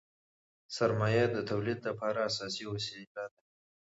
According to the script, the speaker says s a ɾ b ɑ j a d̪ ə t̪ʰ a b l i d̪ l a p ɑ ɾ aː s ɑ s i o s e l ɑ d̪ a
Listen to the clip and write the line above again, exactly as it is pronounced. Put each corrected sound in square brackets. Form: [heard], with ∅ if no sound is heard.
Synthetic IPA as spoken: s a ɾ [m] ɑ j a d̪ ə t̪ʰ a [w] l i d̪ l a p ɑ ɾ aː s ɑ s i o s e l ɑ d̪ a